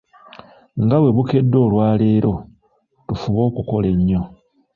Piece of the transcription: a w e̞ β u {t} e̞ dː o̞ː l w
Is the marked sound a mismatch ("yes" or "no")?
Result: yes